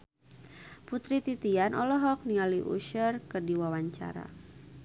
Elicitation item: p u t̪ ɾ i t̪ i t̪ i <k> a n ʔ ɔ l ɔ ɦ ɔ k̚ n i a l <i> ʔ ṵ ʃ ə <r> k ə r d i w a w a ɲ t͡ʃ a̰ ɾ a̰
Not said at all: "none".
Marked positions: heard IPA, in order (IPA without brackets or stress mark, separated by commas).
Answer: none, i, r